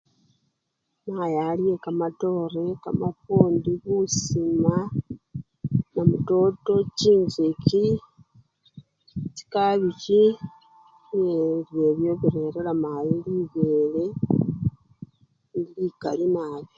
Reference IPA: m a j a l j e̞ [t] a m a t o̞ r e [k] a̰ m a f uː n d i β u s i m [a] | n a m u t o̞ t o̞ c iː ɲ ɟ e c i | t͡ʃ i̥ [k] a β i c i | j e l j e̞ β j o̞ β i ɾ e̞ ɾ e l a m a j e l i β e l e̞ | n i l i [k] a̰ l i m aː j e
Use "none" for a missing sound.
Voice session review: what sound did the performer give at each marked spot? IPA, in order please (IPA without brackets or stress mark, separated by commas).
k, k, a, k, k